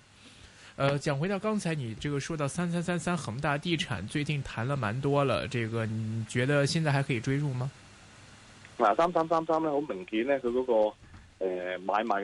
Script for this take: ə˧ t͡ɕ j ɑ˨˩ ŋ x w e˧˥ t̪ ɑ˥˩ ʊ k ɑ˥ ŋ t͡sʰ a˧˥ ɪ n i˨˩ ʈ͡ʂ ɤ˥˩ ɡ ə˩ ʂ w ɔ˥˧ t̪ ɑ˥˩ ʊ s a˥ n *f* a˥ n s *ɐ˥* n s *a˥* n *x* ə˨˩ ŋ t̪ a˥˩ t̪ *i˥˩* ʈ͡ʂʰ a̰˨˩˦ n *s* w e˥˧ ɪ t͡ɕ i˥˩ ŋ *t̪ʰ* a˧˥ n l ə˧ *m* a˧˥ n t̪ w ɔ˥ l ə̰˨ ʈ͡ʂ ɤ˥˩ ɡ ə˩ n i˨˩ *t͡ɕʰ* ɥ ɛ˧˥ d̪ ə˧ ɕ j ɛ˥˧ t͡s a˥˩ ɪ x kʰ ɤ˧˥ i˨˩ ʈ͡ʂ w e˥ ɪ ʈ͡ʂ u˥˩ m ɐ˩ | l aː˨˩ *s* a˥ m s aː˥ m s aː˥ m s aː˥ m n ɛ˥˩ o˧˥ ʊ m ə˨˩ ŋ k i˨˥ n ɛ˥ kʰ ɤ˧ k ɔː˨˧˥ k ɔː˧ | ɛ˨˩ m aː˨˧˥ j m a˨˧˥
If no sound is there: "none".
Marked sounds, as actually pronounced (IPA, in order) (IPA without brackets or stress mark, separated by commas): s, a˥, a˥, x, i˥˩, t͡s, t̪ʰ, m, t͡ɕ, s